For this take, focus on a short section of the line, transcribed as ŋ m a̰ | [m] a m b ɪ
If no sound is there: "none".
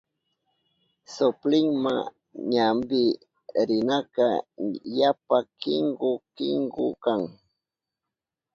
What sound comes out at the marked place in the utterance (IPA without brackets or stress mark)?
ɲ